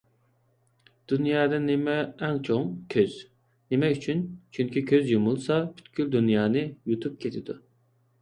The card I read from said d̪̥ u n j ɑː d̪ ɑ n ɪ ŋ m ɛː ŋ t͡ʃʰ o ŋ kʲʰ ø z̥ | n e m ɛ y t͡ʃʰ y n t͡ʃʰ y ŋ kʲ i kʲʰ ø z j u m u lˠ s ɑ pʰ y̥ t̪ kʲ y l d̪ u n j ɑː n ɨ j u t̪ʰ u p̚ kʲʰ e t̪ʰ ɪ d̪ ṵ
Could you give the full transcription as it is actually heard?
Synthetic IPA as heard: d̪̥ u n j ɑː d̪ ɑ n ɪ m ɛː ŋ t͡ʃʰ o ŋ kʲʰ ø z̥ | n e m ɛ y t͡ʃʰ y n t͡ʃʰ y ŋ kʲ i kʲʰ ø z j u m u lˠ s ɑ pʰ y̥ t̪ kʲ y l d̪ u n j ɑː n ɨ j u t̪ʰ u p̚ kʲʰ e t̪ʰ ɪ d̪ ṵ